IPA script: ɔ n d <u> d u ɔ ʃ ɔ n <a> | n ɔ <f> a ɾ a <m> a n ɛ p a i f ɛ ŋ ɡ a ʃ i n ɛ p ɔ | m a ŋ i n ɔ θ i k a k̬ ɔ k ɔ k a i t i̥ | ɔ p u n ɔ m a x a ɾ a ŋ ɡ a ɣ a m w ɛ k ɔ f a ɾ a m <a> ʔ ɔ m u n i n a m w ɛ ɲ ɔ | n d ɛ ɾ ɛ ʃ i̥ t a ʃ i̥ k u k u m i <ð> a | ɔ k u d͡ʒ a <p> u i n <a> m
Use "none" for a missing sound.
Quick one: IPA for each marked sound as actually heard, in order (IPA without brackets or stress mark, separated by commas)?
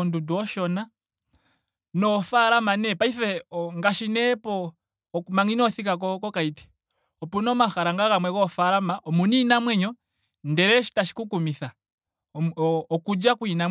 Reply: u, a, f, m, a, θ, k, a